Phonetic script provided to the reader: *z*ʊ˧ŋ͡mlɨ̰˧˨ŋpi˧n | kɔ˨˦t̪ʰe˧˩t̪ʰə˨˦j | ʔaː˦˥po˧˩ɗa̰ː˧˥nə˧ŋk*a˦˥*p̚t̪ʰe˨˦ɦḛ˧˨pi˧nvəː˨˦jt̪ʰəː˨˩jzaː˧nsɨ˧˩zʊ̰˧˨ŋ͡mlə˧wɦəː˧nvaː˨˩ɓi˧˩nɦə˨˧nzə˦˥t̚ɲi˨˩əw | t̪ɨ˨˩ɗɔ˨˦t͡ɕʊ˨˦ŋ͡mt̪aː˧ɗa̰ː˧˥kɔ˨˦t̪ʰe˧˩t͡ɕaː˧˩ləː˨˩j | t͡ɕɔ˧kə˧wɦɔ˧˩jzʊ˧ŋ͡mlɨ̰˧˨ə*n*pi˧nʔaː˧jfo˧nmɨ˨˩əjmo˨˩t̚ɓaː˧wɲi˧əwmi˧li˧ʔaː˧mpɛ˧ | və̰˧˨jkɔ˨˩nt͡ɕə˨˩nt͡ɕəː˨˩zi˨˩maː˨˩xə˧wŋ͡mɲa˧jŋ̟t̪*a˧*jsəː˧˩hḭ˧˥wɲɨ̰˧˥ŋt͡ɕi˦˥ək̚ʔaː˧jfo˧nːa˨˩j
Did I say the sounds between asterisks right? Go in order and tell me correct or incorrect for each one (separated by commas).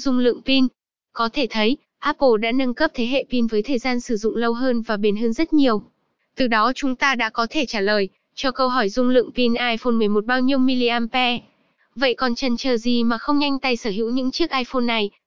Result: correct, incorrect, incorrect, correct